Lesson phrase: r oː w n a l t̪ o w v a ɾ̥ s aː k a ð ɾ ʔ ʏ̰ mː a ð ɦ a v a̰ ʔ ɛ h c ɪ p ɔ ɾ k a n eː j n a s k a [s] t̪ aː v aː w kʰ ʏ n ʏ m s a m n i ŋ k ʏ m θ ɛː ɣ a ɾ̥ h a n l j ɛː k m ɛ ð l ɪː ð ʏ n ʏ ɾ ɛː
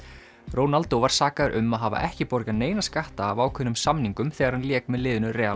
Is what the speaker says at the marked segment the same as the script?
no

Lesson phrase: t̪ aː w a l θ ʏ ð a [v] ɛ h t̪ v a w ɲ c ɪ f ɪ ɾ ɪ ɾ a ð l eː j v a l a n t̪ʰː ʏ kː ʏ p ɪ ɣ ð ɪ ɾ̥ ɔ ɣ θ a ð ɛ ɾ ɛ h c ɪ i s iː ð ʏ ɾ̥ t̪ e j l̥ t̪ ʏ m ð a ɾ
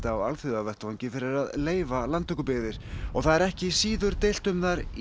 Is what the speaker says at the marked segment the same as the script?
yes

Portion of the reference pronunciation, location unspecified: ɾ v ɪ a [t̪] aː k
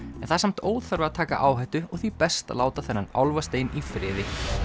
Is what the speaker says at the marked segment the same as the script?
no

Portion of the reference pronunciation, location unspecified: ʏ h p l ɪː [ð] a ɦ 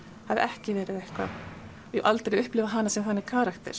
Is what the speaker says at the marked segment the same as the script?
no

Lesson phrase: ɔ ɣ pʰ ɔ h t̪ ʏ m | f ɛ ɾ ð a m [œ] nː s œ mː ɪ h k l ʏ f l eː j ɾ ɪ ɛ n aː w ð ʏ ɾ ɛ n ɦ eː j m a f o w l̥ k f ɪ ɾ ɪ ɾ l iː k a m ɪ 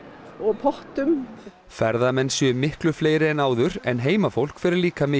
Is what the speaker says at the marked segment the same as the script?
no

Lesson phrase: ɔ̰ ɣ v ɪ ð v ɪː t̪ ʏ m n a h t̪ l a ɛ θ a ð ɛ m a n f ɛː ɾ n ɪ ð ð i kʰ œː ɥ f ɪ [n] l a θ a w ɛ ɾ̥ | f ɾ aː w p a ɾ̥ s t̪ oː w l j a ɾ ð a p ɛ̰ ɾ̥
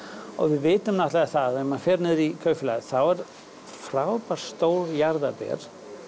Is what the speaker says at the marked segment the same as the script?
no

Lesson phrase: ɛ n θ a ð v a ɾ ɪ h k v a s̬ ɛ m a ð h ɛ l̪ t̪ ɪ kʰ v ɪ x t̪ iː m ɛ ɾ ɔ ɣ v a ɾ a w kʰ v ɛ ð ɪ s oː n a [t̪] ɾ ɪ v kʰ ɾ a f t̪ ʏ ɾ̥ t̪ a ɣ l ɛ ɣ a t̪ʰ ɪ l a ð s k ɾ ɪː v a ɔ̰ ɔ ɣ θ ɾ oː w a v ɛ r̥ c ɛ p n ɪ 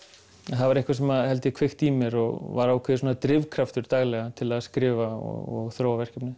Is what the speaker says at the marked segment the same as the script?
yes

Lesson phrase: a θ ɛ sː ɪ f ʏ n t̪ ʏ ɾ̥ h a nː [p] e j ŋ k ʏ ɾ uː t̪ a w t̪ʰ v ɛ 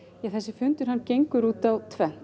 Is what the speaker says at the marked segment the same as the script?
no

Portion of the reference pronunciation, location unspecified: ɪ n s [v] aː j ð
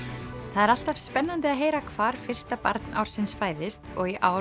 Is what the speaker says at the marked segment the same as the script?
no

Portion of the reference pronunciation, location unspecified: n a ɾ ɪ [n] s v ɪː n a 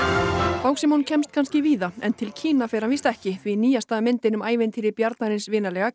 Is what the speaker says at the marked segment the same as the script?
yes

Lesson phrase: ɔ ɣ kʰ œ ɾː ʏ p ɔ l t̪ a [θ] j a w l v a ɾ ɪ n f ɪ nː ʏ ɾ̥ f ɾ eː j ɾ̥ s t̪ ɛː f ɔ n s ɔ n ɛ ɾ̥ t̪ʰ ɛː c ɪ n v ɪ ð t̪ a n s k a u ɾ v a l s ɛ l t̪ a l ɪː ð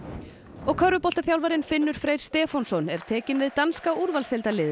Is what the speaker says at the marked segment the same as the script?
yes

